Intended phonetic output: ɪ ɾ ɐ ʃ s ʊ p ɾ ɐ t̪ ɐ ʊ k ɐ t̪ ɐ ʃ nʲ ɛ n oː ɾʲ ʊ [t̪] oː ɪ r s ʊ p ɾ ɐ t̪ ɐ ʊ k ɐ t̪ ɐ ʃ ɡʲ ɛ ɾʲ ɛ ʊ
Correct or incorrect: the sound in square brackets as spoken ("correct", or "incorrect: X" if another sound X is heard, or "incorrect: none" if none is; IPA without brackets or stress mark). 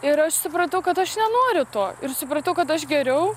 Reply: correct